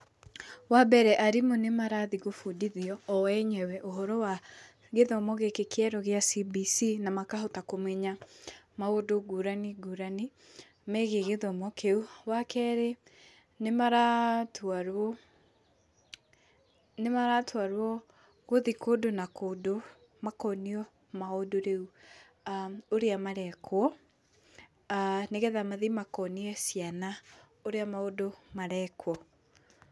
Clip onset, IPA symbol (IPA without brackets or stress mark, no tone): w